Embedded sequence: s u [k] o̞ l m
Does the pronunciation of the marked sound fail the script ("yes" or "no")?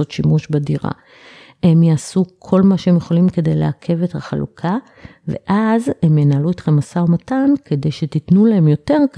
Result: yes